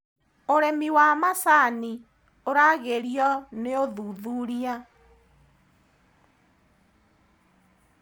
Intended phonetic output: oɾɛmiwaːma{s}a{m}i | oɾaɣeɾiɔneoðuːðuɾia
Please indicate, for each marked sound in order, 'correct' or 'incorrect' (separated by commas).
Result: correct, incorrect